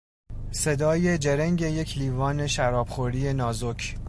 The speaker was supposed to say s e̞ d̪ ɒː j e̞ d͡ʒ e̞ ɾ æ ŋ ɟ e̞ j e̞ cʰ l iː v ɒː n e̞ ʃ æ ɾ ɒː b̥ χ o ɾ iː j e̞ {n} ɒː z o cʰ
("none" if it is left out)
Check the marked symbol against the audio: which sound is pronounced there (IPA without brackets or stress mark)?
n